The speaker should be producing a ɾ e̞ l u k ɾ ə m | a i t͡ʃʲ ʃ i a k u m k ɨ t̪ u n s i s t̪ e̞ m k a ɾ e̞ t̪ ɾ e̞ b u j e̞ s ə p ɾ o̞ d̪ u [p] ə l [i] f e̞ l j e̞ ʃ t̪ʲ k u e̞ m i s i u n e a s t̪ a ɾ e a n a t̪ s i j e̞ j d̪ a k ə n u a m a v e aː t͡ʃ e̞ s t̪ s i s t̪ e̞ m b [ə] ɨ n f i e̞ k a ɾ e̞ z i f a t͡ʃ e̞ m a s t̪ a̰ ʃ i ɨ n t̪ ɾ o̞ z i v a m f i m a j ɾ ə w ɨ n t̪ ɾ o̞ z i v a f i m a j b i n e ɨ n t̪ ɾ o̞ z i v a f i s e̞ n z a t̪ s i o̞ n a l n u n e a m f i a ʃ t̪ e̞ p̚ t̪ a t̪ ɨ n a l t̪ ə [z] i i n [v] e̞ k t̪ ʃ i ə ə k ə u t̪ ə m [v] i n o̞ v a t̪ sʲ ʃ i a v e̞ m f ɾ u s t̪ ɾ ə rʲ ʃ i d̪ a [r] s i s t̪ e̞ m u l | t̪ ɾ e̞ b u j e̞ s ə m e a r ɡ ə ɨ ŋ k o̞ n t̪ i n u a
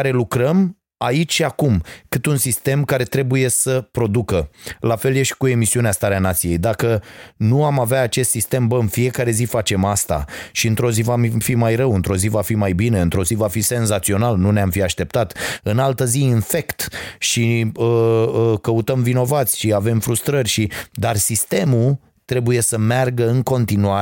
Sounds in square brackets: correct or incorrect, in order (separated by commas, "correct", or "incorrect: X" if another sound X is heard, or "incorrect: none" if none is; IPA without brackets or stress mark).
incorrect: k, incorrect: a, correct, correct, incorrect: f, correct, correct